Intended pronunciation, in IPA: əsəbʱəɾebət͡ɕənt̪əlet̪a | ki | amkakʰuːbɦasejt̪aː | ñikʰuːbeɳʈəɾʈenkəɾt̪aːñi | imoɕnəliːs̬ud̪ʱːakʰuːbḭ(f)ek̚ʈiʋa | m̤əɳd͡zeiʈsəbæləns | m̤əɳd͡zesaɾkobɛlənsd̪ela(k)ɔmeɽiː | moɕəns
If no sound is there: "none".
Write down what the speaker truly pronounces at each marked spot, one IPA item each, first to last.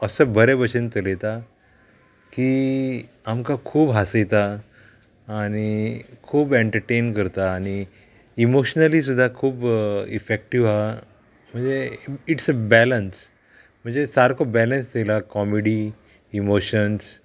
f, k

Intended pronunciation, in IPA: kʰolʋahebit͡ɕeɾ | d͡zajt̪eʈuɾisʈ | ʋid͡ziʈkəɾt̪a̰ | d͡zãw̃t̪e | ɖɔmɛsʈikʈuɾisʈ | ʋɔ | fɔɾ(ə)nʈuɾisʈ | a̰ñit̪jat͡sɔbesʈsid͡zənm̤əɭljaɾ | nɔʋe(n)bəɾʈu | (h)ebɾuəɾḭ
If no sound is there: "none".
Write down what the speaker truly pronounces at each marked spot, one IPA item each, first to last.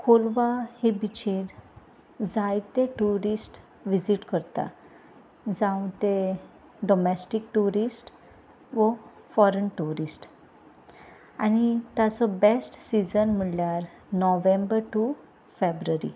ə, m, f

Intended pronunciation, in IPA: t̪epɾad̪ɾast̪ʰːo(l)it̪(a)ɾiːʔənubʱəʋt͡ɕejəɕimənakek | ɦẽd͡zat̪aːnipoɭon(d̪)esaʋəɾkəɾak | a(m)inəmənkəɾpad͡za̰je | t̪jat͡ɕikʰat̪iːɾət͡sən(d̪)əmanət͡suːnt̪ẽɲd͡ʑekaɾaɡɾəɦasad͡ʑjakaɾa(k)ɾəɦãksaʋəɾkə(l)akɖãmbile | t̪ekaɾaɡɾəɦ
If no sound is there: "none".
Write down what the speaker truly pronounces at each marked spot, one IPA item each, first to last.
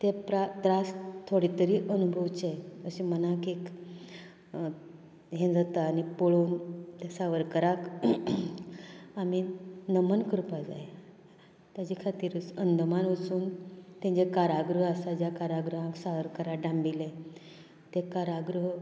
ɽ, ə, t̪, m, d̪, ɡ, ɾ

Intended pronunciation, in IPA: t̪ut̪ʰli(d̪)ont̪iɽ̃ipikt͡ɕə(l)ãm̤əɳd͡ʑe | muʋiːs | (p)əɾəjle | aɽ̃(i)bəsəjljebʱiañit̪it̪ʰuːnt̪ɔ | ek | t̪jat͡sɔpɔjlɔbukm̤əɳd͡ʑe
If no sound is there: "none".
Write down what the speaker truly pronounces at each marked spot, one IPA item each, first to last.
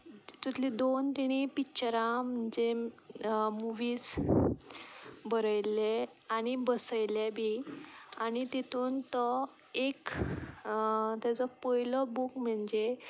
d̪, ɾ, b, i

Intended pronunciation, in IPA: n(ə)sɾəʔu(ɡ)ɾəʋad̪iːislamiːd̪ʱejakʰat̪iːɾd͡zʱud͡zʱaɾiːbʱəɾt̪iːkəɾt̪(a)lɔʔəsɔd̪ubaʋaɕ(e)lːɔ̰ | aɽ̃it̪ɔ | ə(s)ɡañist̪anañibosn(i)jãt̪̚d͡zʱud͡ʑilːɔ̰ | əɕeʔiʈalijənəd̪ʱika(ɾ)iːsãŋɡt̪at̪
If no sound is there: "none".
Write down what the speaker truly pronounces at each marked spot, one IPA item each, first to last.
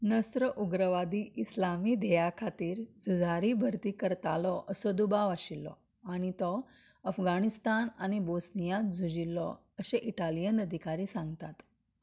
ə, ɡ, a, i, f, i, ɾ

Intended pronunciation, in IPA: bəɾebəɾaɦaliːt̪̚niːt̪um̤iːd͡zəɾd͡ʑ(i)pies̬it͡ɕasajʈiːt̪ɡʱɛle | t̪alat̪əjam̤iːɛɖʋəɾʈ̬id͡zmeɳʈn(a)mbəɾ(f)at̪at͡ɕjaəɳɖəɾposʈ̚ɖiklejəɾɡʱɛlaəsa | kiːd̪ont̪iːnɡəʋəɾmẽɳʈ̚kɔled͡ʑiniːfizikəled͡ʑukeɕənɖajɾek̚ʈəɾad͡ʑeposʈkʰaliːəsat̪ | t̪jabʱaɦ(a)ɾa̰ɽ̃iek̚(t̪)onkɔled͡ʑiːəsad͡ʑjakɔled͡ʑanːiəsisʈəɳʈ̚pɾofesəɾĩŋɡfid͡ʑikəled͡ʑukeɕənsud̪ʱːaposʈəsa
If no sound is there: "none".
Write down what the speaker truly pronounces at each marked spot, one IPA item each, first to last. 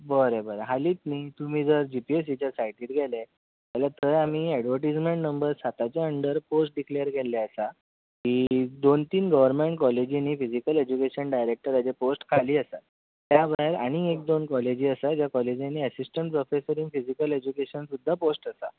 i, ə, s, e, d̪

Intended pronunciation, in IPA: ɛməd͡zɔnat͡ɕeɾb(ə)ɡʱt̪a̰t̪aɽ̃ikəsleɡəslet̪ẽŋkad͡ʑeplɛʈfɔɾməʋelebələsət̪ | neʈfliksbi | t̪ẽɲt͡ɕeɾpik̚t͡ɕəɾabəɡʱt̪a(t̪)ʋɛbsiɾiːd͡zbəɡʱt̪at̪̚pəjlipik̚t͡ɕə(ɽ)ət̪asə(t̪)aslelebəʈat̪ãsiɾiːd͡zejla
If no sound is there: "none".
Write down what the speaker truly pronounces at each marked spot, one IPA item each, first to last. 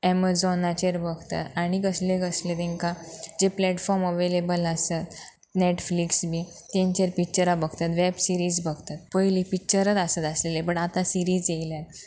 ə, t̪, ɾ, t̪

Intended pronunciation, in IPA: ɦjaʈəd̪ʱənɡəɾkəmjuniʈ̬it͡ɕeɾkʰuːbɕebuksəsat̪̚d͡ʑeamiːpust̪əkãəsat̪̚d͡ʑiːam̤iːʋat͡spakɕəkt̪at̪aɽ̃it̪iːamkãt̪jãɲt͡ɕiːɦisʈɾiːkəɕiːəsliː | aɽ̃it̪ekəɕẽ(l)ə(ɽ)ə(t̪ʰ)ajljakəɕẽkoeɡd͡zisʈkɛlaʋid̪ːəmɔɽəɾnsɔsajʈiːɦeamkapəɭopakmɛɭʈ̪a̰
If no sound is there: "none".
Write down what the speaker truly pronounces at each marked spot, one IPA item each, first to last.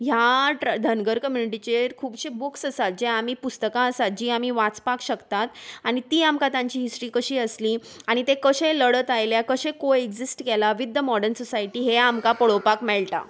l, ɽ, t̪

